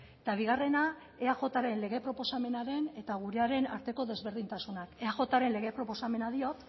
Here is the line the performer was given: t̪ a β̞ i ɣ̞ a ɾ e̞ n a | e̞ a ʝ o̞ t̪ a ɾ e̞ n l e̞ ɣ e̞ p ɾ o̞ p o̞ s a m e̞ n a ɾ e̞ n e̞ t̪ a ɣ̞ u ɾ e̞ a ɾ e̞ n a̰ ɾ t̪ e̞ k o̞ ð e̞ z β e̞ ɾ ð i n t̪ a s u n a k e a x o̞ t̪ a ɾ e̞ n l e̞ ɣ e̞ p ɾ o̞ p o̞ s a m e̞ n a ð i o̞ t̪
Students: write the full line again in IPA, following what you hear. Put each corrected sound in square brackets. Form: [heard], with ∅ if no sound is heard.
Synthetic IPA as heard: t̪ a β̞ i ɣ̞ a [r] e̞ n a | e̞ a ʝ o̞ t̪ a ɾ e̞ n l e̞ ɣ e̞ p ɾ o̞ p o̞ s a m e̞ n a ɾ e̞ n e̞ t̪ a ɣ̞ u ɾ e̞ a ɾ e̞ n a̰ ɾ t̪ e̞ k o̞ ð e̞ z β e̞ ɾ ð i n t̪ a s u n a k e a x o̞ t̪ a ɾ e̞ n l e̞ ɣ e̞ p ɾ o̞ p o̞ s a m e̞ n a ð i o̞ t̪